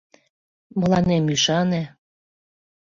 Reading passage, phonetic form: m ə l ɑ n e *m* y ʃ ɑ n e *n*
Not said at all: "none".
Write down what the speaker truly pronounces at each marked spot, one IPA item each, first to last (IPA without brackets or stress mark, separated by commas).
m, none